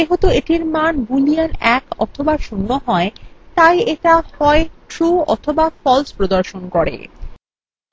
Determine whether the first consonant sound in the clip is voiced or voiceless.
voiced